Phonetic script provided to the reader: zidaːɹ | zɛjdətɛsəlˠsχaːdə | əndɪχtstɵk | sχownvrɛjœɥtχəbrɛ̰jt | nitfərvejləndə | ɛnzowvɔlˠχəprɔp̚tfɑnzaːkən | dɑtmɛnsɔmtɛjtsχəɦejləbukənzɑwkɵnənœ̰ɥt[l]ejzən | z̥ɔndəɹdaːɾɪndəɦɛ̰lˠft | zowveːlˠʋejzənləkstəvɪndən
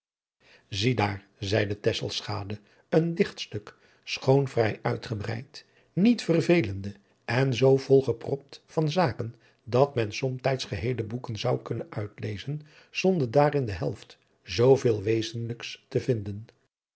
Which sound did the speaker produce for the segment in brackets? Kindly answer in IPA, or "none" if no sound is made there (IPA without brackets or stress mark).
l